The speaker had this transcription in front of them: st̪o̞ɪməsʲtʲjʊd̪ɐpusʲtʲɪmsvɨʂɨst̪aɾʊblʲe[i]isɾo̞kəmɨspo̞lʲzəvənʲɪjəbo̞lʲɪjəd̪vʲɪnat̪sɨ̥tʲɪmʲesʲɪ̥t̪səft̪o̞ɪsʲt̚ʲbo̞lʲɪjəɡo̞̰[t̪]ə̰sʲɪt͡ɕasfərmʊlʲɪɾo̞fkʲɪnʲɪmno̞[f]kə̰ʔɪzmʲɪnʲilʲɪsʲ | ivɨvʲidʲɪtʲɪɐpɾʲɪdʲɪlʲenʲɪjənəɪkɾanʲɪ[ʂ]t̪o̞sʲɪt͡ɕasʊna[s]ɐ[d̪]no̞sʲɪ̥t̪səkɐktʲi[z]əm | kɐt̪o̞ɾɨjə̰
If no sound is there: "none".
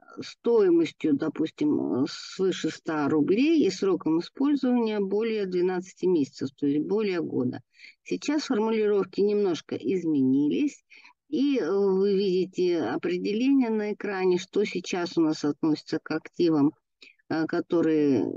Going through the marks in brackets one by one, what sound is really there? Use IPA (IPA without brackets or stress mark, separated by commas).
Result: j, d̪, ʂ, ʂ, s, t̪, v